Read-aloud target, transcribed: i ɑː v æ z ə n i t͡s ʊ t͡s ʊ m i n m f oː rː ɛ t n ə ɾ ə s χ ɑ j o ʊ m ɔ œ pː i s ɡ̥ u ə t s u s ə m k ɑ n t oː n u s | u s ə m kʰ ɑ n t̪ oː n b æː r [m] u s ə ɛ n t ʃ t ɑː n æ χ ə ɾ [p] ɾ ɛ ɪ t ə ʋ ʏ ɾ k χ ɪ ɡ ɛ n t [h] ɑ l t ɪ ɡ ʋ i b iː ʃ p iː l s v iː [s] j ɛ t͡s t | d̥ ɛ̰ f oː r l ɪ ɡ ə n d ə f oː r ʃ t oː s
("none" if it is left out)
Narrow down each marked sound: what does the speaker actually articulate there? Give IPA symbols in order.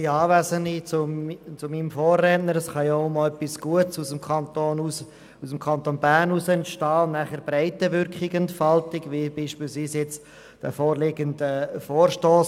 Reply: n, b, f, s

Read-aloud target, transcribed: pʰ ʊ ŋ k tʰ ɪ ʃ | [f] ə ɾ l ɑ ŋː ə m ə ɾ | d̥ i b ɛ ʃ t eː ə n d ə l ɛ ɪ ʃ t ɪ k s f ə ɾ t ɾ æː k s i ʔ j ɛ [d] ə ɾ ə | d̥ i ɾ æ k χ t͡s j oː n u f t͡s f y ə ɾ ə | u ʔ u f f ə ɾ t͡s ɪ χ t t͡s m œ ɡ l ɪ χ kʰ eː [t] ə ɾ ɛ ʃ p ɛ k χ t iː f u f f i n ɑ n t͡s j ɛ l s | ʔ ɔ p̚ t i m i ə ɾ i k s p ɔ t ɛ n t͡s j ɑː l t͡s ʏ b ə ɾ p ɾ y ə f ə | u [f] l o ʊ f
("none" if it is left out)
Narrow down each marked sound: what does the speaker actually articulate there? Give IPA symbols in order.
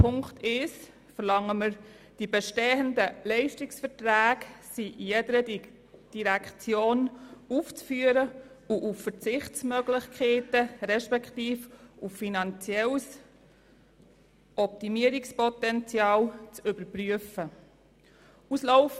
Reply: f, d, t, s

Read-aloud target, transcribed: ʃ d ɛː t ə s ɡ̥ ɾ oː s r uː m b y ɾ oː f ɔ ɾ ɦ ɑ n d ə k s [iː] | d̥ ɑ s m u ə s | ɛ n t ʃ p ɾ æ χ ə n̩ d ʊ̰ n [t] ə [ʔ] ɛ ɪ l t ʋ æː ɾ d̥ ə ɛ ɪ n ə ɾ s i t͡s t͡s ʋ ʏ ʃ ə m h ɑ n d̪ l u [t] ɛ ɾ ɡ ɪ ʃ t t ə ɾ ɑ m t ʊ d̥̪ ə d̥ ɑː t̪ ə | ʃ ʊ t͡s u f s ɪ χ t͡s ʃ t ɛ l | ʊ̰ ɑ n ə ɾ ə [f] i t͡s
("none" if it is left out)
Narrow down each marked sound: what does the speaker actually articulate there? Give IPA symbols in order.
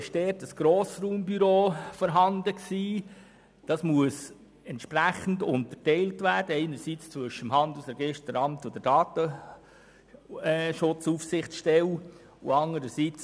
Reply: iː, t, t, s, s

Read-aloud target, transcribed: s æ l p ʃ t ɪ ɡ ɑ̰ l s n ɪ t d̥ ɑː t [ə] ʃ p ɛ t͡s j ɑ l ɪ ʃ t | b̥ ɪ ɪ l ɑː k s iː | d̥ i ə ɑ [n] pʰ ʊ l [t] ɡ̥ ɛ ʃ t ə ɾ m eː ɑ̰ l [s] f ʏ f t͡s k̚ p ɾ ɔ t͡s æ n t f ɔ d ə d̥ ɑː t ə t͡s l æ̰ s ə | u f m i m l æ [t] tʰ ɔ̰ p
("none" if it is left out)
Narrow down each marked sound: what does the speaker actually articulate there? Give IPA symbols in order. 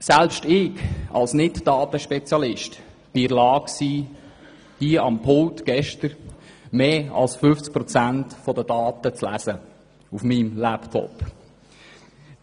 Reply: ə, m, t, s, p

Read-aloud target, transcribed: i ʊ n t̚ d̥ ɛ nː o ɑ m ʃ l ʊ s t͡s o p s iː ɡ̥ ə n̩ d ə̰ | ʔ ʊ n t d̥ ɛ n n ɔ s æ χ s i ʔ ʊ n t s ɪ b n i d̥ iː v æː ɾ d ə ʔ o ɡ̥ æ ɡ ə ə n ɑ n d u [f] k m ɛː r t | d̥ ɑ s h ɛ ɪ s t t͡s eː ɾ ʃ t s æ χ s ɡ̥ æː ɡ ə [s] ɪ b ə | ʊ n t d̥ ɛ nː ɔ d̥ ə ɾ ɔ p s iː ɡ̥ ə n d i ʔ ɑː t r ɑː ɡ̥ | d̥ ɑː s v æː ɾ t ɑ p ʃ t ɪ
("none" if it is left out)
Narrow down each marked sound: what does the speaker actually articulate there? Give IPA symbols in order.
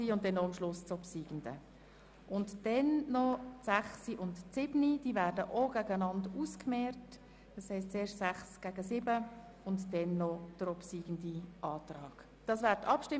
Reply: s, s

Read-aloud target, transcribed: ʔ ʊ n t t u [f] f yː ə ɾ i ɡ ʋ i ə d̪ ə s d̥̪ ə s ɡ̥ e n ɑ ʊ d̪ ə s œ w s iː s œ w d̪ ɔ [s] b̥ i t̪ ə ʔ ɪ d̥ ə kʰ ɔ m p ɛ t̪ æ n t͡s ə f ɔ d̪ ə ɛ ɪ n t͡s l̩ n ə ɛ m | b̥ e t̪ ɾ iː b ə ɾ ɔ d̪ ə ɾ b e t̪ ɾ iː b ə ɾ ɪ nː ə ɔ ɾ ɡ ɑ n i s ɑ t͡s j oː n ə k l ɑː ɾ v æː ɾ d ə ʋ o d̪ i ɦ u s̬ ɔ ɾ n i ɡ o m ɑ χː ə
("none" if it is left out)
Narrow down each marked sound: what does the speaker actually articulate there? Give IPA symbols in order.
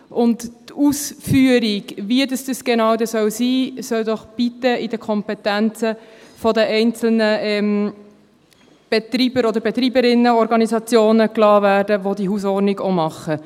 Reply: s, χ

